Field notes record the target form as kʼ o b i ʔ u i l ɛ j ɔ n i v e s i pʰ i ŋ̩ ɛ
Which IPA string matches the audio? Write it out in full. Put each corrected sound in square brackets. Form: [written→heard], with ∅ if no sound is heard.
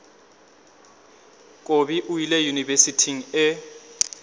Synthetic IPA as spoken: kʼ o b i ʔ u i l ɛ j [ɔ→u] n i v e s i [pʰ→tʰ] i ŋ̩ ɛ